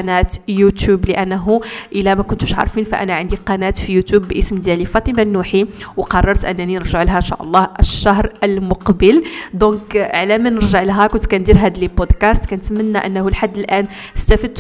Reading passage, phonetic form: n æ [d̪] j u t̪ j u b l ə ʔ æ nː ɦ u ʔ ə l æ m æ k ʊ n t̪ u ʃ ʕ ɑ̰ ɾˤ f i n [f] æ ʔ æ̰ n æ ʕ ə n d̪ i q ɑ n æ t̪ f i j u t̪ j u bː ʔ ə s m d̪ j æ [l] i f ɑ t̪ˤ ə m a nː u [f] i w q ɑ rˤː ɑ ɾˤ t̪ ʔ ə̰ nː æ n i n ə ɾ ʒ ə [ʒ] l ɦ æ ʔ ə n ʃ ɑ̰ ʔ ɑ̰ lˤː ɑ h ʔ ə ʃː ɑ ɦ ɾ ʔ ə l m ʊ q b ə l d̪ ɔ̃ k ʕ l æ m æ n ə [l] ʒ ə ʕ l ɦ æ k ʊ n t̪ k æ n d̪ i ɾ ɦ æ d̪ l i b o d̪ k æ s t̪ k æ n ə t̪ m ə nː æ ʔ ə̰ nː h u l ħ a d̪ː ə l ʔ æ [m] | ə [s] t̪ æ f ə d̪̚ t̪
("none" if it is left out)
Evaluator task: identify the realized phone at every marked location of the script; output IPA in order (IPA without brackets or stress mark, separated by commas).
t̪, f, l, ħ, ʕ, ɾ, n, s